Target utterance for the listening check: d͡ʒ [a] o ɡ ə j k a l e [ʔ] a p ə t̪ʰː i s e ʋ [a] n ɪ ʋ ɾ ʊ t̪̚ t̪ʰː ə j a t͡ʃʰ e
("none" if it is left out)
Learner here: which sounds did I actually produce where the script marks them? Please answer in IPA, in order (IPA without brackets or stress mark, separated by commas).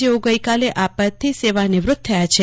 e, ʔ, a